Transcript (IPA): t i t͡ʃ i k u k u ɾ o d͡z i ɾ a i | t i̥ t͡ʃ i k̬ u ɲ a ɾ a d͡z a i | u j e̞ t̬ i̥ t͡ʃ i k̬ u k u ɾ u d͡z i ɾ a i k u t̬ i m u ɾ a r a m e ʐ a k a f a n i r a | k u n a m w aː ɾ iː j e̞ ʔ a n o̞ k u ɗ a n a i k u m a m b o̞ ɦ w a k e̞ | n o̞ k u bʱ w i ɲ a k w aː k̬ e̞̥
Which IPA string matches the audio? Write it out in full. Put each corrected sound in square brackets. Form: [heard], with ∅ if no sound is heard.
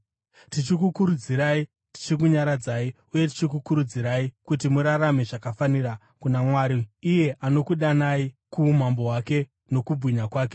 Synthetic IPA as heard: t i t͡ʃ i k u k u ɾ [u] d͡z i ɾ a i | t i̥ t͡ʃ i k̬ u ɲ a ɾ a d͡z a i | u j e̞ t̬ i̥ t͡ʃ i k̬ u k u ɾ u d͡z i ɾ a i k u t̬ i m u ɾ a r a m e ʐ a k a f a n i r a | k u n a m w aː ɾ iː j e̞ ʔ a n o̞ k u ɗ a n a i k u m a m b o̞ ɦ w a k e̞ | n o̞ k u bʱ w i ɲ a k w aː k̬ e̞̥